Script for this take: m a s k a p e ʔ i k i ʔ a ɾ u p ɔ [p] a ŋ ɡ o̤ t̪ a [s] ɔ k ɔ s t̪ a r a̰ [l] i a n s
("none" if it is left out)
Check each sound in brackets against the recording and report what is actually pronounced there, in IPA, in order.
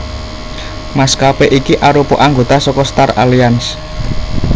ʔ, s, l

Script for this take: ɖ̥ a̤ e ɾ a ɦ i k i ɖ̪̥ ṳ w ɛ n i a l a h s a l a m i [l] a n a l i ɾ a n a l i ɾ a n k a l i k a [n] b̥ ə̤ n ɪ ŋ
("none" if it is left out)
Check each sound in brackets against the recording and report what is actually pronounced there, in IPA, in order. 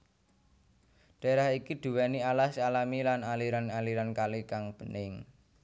l, ŋ

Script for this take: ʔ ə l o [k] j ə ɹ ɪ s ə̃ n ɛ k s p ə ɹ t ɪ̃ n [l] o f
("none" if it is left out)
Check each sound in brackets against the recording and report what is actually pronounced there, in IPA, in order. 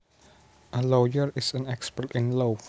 none, l

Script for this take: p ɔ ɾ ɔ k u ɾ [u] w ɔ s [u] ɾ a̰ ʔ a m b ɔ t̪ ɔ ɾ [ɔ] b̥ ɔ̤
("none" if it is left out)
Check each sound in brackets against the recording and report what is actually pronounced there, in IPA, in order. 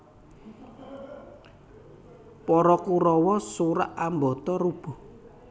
ɔ, u, u

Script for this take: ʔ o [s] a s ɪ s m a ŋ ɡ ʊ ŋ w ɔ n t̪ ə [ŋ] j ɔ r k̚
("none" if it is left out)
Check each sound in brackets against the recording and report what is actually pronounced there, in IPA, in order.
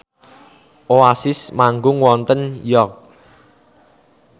none, n

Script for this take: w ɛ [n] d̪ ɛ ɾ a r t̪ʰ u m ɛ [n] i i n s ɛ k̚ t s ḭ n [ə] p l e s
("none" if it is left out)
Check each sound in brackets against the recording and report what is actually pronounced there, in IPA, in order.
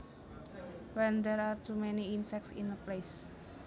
n, n, ə

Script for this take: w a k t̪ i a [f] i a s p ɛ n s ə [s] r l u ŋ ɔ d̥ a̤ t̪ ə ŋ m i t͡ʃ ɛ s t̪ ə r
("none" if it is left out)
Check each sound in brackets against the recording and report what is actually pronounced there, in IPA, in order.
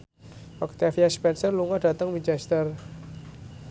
f, none

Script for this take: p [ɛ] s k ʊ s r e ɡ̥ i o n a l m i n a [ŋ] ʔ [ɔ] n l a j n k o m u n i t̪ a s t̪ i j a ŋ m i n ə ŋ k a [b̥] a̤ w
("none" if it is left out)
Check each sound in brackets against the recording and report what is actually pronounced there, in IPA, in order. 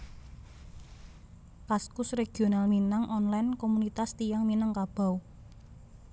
a, ŋ, ɔ, b̥

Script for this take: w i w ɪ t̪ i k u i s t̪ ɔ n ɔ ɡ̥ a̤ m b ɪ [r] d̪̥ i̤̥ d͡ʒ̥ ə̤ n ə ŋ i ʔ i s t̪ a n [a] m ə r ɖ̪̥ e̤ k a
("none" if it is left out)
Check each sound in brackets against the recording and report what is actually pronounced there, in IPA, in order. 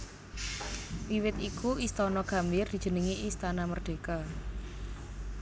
r, a

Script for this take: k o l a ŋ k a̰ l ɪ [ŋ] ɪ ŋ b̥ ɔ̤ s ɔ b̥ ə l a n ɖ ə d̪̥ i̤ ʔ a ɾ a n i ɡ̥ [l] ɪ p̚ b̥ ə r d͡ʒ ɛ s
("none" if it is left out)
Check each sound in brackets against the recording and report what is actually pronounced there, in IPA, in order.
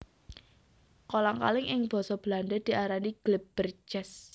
ŋ, l

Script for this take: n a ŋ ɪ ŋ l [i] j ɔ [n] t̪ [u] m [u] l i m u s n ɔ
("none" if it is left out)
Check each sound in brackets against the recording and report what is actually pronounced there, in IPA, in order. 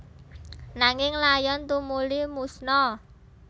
a, n, u, u

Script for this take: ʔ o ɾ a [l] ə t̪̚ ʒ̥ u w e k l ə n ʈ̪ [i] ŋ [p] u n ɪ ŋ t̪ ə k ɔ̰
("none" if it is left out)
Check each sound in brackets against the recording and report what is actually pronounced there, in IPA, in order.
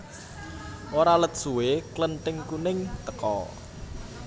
l, ɪ, k

